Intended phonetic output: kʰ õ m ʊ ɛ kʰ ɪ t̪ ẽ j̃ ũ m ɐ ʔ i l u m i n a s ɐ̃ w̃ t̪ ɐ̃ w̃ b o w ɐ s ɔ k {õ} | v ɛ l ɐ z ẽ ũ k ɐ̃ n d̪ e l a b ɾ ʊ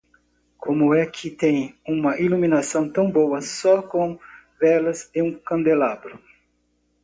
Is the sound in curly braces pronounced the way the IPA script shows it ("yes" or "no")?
yes